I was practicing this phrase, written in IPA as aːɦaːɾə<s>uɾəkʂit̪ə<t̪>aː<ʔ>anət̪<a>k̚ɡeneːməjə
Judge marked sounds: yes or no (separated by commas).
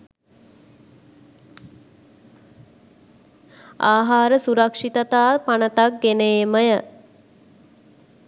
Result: yes, yes, no, yes